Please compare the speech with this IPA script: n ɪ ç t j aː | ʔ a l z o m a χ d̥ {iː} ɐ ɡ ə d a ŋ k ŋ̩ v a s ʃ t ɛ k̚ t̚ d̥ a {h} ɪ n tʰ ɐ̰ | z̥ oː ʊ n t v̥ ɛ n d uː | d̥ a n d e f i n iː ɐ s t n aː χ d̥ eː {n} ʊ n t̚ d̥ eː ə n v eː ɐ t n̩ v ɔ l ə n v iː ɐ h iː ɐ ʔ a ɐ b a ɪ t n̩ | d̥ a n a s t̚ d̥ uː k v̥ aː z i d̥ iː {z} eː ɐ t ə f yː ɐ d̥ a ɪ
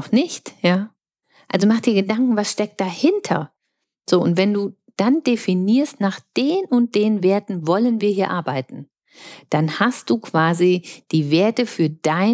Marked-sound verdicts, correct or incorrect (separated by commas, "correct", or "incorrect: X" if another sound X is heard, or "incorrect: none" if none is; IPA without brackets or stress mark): correct, correct, correct, incorrect: v